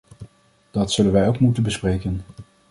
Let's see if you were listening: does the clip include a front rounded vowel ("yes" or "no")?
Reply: no